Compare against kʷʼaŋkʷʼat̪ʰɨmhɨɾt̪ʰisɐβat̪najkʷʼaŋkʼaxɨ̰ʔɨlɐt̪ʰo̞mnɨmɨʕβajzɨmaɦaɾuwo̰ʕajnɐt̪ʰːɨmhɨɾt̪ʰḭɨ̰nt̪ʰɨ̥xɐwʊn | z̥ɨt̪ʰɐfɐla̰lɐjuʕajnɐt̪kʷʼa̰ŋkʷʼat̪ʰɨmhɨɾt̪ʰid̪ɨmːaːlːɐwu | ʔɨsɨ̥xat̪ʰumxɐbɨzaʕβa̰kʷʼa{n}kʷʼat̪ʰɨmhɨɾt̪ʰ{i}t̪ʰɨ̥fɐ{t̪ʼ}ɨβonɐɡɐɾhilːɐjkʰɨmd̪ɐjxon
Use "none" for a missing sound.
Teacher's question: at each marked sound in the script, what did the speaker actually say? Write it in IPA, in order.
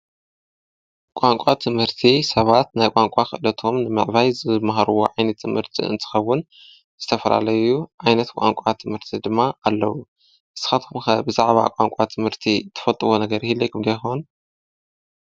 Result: ŋ, i, t̪ʼ

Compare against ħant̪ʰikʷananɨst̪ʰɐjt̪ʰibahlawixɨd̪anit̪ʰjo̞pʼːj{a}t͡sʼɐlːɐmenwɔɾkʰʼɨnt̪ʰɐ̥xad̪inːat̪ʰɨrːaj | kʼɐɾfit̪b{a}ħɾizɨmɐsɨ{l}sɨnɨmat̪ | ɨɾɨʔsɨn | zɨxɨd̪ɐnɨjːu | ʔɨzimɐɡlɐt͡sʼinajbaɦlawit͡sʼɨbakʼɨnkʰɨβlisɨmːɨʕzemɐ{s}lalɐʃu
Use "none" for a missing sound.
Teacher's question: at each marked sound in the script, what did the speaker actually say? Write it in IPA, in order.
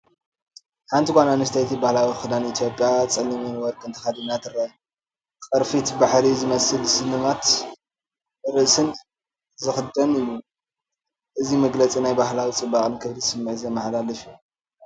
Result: a, a, l, ħ

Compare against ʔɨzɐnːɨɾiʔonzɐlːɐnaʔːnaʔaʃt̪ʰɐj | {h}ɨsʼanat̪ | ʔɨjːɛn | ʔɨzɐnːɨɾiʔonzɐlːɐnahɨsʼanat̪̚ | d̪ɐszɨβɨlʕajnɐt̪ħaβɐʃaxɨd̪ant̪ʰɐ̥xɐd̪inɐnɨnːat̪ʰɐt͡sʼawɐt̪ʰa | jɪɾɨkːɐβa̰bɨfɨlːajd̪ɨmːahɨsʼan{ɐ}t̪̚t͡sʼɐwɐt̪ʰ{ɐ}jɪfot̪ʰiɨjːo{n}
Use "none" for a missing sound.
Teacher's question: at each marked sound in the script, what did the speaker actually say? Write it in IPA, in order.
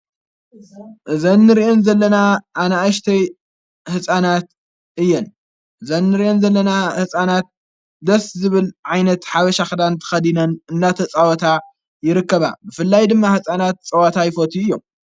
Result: h, a, a, m

